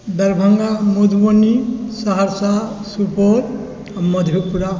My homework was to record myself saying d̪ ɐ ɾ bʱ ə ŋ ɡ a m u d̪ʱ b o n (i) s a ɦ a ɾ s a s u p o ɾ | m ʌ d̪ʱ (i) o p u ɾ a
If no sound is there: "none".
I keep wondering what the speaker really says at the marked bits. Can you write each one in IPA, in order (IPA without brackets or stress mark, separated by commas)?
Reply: i, j